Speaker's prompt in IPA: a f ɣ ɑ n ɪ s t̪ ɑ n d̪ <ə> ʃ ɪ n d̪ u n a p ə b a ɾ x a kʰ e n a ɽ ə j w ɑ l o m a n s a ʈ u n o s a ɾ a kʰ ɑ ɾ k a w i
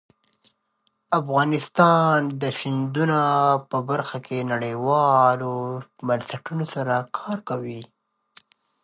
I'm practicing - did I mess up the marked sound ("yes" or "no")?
no